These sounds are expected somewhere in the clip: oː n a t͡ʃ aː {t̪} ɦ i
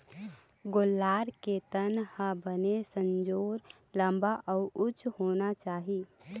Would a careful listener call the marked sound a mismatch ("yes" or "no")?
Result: yes